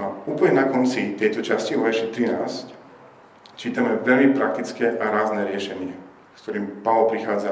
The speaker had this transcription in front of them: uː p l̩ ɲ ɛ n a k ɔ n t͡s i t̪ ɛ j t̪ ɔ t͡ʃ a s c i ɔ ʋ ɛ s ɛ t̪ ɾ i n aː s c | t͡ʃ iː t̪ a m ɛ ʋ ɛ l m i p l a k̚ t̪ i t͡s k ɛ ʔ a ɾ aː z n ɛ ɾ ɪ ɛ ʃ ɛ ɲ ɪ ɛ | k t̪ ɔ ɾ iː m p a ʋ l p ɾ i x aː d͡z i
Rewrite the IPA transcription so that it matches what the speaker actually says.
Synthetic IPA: uː p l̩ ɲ ɛ n a k ɔ n t͡s i t̪ ɛ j t̪ ɔ t͡ʃ a s c i ɔ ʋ ɛ ʃ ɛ t̪ ɾ i n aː s c | t͡ʃ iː t̪ a m ɛ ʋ ɛ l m i p ɾ a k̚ t̪ i t͡s k ɛ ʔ a ɾ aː z n ɛ ɾ ɪ ɛ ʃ ɛ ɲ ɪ ɛ | k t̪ ɔ ɾ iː m p a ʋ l p ɾ i x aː d͡z a